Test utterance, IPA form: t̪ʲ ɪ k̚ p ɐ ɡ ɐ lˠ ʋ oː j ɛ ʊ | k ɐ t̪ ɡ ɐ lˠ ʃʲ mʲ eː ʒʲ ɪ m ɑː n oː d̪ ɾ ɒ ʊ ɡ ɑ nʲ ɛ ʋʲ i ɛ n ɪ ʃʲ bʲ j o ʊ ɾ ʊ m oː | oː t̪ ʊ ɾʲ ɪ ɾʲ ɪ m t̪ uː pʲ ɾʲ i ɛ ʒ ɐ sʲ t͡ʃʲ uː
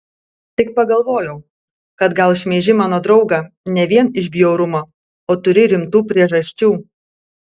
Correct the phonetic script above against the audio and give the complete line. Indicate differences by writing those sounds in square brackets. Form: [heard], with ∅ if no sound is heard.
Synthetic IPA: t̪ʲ ɪ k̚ p ɐ ɡ ɐ lˠ ʋ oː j ɛ ʊ | k ɐ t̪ ɡ ɐ lˠ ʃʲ mʲ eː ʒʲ ɪ m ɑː n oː d̪ ɾ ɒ ʊ ɡ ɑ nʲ ɛ ʋʲ i ɛ n ɪ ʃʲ bʲ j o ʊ ɾ ʊ m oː | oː t̪ ʊ ɾʲ ɪ ɾʲ ɪ m t̪ uː pʲ ɾʲ i ɛ ʒ ɐ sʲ t͡ʃʲ uː

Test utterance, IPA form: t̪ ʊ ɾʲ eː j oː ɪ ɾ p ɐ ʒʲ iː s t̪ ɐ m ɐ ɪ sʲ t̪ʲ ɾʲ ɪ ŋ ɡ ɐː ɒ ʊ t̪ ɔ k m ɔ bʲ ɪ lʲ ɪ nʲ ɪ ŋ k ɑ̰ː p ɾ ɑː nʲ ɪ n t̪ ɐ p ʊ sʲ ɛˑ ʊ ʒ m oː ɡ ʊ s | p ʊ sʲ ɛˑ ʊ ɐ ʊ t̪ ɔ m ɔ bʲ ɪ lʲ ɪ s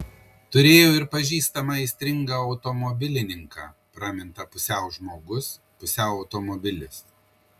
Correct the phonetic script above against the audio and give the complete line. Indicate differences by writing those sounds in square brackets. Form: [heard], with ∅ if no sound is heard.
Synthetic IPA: t̪ ʊ ɾʲ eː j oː ɪ ɾ p ɐ ʒʲ iː s t̪ ɐ m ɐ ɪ sʲ t̪ʲ ɾʲ ɪ ŋ ɡ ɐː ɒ ʊ t̪ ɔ [∅] m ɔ bʲ ɪ lʲ ɪ nʲ ɪ ŋ k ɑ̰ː p ɾ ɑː [mʲ] ɪ n t̪ ɐ p ʊ sʲ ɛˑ ʊ ʒ m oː ɡ ʊ s | p ʊ sʲ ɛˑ ʊ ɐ ʊ t̪ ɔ m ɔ bʲ ɪ lʲ ɪ s

